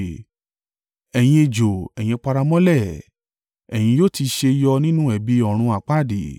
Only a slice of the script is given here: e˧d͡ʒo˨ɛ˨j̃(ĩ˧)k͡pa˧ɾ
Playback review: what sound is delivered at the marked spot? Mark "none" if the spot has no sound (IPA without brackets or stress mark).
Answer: ĩ˧